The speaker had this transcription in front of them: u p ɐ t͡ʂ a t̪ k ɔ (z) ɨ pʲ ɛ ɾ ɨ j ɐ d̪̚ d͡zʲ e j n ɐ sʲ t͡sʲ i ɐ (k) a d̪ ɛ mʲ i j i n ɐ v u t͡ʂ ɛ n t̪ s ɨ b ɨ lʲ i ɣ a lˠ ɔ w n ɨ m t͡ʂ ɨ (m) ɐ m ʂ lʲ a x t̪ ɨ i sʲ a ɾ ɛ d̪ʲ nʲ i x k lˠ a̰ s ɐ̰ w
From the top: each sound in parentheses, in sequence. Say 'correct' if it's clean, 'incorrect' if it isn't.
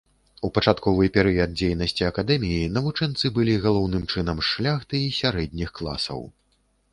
incorrect, correct, incorrect

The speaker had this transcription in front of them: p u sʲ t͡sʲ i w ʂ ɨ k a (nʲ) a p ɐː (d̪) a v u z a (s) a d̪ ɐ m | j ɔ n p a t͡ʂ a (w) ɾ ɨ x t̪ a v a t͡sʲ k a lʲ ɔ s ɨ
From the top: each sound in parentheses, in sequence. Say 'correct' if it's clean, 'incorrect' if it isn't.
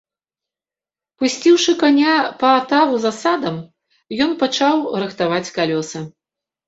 correct, incorrect, correct, correct

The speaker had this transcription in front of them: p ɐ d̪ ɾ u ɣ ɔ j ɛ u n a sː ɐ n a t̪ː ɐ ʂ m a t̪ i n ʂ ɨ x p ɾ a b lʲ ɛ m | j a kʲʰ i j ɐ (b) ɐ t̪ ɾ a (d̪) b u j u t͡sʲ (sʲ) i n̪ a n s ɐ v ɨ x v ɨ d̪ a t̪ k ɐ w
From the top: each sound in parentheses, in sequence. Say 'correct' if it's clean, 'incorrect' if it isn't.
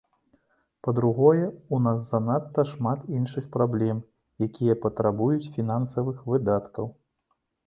incorrect, incorrect, incorrect

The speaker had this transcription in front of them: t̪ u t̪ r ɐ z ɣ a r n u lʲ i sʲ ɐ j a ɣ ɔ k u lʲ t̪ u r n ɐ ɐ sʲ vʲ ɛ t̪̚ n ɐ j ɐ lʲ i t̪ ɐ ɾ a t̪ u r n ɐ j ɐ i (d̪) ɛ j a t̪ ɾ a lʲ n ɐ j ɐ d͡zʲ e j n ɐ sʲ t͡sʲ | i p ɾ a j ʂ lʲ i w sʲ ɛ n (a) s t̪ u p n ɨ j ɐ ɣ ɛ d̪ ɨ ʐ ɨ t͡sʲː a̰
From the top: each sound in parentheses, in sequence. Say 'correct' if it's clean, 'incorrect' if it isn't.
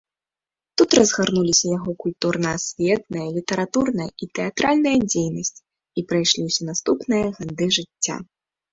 incorrect, correct

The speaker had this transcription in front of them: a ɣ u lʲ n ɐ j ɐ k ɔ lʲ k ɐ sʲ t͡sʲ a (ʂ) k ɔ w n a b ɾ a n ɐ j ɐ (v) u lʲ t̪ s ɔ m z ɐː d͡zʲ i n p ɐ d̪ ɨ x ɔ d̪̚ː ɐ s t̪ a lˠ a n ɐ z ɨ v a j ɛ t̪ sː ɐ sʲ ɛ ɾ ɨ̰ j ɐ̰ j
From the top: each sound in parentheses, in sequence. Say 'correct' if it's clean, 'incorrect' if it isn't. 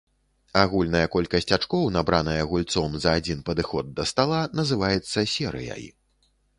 incorrect, incorrect

